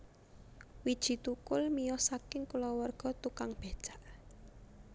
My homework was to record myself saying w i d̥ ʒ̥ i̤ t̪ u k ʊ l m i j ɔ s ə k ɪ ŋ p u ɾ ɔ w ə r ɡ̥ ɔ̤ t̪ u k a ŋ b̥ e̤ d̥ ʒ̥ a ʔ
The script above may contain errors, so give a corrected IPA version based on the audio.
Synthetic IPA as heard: w i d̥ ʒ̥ i̤ t̪ u k ʊ l m i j ɔ s a k ɪ ŋ k u l ɔ w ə r ɡ̥ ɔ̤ t̪ u k a ŋ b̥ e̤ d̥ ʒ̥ a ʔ